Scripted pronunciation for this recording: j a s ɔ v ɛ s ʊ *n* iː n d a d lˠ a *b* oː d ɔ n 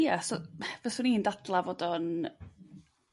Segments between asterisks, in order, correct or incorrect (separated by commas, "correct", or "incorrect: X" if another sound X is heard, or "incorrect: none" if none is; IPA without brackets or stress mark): correct, incorrect: v